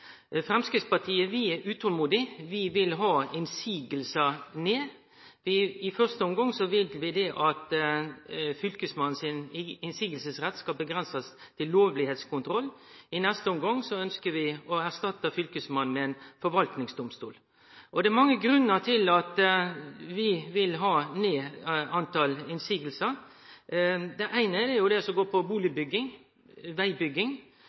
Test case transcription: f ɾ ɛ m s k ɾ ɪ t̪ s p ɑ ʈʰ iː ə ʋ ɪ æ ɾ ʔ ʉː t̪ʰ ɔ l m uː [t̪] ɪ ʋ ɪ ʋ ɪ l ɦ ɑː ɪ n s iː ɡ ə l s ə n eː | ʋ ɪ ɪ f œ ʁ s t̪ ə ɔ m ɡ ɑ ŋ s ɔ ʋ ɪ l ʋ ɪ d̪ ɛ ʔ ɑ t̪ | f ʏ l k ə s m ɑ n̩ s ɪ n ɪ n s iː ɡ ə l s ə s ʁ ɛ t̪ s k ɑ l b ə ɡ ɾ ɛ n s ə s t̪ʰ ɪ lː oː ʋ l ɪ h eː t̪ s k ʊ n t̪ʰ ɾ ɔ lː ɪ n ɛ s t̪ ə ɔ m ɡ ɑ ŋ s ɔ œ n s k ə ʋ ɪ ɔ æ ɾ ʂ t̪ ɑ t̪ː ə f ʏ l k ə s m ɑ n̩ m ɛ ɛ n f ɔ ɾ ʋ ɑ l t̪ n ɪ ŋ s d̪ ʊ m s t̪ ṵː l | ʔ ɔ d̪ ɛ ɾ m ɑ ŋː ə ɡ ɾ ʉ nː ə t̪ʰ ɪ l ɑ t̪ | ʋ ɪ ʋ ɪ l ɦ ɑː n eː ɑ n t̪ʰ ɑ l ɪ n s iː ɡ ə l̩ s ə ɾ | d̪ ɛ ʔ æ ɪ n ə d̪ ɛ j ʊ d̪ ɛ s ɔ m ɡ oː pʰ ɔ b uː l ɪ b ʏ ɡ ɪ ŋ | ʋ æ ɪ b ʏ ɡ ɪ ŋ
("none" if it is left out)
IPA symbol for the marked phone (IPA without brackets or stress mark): d̪